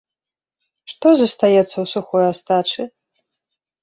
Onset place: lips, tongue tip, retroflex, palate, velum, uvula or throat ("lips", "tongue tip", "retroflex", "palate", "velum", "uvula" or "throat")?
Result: retroflex